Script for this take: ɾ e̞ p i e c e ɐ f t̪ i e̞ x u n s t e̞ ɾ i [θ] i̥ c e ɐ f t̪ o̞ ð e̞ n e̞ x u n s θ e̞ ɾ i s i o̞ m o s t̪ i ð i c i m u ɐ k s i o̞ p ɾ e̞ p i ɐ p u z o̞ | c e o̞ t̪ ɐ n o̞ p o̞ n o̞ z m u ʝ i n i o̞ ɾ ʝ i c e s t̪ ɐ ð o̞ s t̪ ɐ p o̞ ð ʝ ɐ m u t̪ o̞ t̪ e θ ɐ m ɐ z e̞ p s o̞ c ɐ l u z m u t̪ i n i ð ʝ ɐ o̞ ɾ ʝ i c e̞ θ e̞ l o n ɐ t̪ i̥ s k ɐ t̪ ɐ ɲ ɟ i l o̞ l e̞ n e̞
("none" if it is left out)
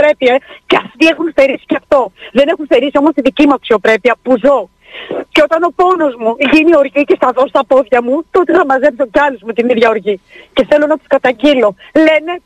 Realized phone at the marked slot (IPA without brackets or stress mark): s